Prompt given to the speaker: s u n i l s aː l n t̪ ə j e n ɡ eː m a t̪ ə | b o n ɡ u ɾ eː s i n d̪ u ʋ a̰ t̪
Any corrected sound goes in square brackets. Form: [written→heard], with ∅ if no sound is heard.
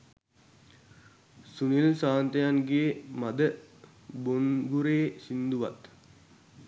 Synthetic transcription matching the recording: s u n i l s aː [l→∅] n t̪ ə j [e→a] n ɡ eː m a [t̪→d̪] ə | b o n ɡ u ɾ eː s i n d̪ u ʋ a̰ t̪